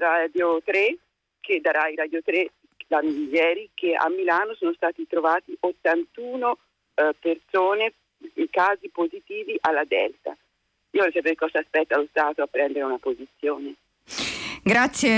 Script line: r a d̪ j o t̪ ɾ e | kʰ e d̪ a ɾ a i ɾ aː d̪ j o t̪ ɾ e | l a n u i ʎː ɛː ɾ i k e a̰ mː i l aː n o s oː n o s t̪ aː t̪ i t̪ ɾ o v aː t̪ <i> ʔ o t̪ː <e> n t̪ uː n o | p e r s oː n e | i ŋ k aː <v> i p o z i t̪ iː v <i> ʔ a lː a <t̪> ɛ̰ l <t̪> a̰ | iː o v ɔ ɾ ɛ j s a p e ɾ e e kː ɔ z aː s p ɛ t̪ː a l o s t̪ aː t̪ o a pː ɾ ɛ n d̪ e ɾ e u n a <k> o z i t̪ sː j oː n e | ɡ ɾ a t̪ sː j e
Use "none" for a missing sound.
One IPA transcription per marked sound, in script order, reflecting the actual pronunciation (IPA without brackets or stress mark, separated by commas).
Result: i, a, z, i, d̪, t̪, p